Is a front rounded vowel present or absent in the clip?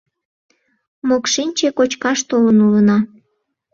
absent